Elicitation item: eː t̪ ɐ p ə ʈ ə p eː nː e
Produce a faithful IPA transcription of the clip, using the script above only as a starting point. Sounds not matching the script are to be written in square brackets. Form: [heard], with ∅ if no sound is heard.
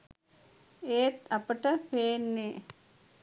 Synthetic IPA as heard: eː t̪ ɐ p ə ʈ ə p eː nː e